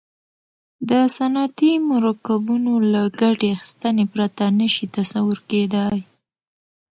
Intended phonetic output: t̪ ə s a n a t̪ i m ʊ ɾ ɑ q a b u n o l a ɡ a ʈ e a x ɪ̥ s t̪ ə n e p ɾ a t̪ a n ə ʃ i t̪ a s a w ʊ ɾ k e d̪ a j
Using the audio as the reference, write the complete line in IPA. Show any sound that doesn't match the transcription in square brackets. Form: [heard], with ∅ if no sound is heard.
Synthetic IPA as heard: [d̪] ə s a n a t̪ i m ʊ ɾ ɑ [k] a b u n o l a ɡ a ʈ e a x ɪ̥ s t̪ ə n e p ɾ a t̪ a n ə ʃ i t̪ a s a w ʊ ɾ k e d̪ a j